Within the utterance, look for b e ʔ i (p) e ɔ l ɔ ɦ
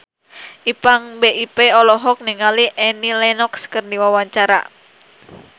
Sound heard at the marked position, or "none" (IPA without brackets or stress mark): p